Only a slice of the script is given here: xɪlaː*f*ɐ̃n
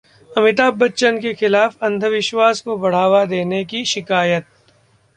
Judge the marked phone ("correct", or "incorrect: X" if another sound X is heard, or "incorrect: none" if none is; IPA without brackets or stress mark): correct